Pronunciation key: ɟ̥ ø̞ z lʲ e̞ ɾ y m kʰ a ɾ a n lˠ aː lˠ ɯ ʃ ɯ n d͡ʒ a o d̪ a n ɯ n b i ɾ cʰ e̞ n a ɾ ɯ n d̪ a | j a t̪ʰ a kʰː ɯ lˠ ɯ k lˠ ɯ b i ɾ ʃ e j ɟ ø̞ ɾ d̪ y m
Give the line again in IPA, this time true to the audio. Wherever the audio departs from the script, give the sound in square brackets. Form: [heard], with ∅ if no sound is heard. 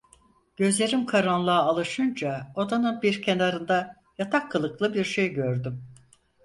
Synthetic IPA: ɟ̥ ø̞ z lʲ e̞ ɾ [i] m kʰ a ɾ a n lˠ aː lˠ ɯ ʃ ɯ n d͡ʒ a o d̪ a n ɯ n b i ɾ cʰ e̞ n a ɾ ɯ n d̪ a | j a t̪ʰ a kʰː ɯ lˠ ɯ k lˠ ɯ b i ɾ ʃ e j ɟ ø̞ ɾ d̪ y m